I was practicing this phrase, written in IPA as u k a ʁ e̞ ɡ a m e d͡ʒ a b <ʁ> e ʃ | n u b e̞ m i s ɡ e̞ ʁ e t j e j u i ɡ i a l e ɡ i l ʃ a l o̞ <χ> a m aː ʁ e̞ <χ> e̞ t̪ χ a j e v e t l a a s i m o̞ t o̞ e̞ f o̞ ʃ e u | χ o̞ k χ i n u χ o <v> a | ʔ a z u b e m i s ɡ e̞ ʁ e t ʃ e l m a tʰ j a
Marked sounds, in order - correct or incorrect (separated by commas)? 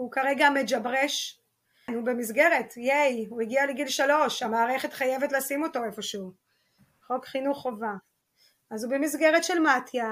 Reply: correct, incorrect, correct, correct